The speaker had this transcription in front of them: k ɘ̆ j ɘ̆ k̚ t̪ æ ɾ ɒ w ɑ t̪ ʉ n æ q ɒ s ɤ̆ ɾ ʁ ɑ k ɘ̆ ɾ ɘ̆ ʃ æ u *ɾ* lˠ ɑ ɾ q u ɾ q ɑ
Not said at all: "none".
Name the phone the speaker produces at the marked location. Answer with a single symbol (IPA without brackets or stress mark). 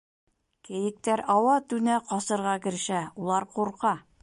none